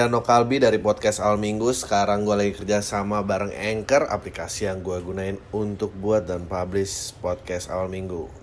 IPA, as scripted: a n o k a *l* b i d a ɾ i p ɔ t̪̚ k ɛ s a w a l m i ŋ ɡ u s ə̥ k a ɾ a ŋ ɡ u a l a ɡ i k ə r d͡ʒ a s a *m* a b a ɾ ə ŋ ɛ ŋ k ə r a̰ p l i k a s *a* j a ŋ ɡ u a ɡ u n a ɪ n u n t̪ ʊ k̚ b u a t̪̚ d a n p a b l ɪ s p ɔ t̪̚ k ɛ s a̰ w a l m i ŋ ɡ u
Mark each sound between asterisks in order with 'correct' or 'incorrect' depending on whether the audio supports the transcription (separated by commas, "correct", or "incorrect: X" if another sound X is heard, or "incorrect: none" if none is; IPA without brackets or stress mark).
correct, correct, incorrect: i